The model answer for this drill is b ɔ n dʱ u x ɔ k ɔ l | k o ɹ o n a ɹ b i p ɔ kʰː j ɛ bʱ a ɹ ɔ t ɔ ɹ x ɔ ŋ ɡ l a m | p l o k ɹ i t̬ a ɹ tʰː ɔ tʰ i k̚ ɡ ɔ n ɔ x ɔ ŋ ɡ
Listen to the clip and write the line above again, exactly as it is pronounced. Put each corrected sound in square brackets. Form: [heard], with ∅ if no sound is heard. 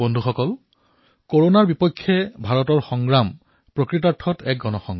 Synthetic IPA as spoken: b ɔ n dʱ u x ɔ k ɔ l | k o ɹ o n a ɹ b i p ɔ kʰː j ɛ bʱ a ɹ ɔ t ɔ ɹ x ɔ ŋ ɡ [ɹ] a m | p [ɹ] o k ɹ i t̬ a ɹ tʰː ɔ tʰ [ɛ] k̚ ɡ ɔ n ɔ x ɔ ŋ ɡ